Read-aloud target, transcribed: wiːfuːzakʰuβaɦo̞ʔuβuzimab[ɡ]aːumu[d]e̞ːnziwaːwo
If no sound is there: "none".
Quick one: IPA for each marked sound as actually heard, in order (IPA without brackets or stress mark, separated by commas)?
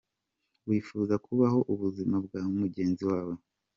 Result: ɡ, ɟ